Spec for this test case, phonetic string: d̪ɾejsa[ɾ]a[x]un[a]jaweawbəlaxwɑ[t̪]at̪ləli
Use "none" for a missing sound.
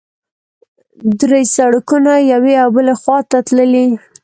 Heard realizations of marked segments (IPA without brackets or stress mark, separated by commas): ɽ, k, a, t̪